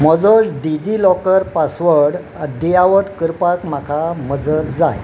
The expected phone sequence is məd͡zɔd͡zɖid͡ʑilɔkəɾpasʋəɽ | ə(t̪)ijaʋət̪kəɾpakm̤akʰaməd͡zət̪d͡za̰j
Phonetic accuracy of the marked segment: incorrect: d̪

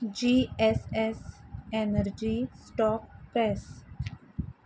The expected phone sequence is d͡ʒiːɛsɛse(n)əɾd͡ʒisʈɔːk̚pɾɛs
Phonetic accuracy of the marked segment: correct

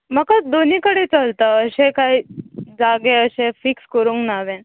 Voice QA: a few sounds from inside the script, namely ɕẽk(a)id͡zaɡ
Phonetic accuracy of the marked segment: correct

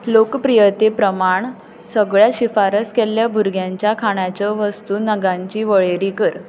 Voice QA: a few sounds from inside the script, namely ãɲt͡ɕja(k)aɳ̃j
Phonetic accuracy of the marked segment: incorrect: kʰ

